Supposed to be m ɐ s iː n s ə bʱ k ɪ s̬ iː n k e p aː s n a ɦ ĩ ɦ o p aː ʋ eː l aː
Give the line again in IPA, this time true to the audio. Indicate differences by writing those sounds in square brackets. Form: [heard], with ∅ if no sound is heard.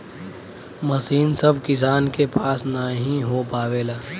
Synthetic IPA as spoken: m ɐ s iː n s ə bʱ k ɪ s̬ [aː] n k e p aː s n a ɦ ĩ ɦ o p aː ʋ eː l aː